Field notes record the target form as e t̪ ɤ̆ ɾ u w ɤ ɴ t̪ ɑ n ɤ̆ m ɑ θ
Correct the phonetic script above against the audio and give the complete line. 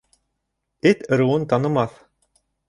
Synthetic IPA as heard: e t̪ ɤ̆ ɾ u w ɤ n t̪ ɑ n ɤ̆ m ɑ θ